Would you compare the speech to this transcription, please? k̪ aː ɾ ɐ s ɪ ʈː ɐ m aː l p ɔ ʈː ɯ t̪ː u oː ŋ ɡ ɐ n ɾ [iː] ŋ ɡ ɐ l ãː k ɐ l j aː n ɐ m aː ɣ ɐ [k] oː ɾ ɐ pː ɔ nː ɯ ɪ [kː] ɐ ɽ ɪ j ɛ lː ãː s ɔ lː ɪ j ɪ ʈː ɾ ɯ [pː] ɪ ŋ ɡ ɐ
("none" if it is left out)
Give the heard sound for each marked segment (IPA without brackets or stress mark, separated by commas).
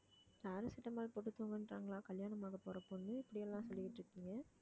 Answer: aː, p, pː, kː